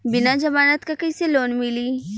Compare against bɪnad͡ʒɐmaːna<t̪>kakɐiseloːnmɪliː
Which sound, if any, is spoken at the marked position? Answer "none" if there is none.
t̪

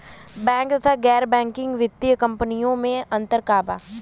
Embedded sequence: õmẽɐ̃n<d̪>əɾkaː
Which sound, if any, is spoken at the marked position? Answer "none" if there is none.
t̪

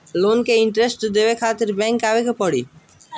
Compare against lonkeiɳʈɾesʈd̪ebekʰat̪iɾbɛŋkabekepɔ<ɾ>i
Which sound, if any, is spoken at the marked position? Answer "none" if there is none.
ɽ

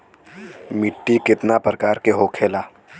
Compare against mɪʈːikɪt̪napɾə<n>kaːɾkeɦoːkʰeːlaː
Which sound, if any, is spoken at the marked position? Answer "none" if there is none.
none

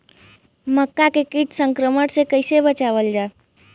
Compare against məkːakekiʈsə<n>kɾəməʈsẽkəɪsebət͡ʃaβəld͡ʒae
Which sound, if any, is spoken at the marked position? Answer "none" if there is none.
ŋ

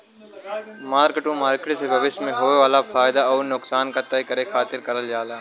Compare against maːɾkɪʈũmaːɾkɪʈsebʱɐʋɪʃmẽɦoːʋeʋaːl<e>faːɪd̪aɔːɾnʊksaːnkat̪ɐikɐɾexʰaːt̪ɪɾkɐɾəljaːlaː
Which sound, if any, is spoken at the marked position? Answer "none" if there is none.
a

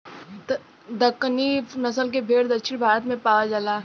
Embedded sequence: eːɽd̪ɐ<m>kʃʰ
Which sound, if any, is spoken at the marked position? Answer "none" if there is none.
none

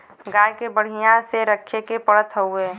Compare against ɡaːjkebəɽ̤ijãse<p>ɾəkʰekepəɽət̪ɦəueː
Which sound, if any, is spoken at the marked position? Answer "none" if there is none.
none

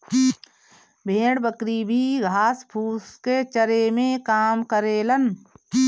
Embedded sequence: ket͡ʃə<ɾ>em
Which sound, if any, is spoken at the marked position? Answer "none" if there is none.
ɾ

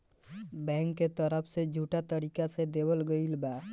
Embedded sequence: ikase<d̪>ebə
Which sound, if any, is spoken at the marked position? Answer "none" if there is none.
d̪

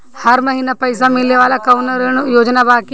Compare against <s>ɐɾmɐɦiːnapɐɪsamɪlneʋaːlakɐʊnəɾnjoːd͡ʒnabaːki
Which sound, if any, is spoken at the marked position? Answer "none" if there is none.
h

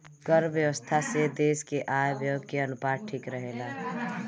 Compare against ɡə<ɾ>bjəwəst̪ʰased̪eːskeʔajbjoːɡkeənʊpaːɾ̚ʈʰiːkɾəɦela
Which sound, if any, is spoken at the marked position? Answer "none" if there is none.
ɾ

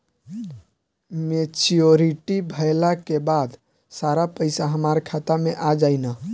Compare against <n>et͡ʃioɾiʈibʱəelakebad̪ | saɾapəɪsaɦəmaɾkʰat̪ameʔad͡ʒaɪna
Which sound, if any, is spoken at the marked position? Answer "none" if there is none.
m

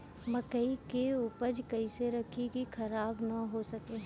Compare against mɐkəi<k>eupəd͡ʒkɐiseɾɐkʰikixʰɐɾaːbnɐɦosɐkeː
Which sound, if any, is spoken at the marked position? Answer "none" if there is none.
k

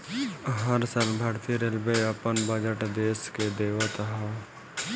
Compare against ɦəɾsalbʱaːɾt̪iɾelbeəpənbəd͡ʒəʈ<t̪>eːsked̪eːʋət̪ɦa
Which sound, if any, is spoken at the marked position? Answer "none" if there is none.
d̪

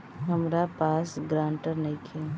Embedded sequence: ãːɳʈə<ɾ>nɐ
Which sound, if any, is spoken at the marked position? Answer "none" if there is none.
ɾ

